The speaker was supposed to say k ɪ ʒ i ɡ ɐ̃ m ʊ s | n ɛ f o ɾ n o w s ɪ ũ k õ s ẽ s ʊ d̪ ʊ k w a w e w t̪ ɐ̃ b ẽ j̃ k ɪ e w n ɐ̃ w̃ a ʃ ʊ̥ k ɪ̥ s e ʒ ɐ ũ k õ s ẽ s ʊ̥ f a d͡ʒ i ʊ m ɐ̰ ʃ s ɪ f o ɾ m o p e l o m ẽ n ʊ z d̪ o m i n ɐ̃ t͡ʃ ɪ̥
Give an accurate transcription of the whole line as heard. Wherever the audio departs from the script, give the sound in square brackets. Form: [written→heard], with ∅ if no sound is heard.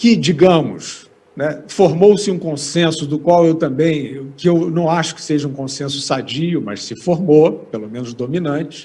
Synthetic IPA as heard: k ɪ [ʒ→d͡ʒ] i ɡ ɐ̃ m ʊ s | n ɛ f o ɾ [n→m] o w s ɪ ũ k õ s ẽ s ʊ d̪ ʊ k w a w e w t̪ ɐ̃ b ẽ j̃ k ɪ e w n ɐ̃ w̃ a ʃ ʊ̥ k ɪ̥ s e ʒ ɐ ũ k õ s ẽ s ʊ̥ [f→s] a d͡ʒ i ʊ m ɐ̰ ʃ s ɪ f o ɾ m o p e l o m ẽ n ʊ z d̪ o m i n ɐ̃ t͡ʃ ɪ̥